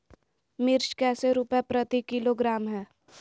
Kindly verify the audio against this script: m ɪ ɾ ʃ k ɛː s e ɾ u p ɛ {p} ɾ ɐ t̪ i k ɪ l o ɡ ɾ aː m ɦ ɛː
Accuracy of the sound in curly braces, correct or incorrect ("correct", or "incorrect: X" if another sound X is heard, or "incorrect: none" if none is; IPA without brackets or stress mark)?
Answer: correct